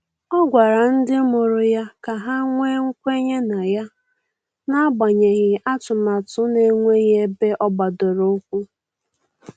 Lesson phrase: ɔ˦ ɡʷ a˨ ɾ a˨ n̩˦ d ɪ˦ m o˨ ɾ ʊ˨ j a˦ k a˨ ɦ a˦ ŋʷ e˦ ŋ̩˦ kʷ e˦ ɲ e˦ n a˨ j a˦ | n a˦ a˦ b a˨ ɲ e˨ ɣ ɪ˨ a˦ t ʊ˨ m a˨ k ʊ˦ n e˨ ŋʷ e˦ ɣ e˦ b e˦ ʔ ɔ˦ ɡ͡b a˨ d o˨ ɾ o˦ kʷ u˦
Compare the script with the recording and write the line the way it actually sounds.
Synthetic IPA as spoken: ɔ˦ ɡʷ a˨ ɾ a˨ n̩˦ d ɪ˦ m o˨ ɾ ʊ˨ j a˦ k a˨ ɦ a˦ ŋʷ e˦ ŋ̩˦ kʷ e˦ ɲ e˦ n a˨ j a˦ | n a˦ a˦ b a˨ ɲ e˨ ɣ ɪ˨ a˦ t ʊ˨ m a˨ t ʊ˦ n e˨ ŋʷ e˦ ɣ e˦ b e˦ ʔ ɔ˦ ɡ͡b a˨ d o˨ ɾ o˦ kʷ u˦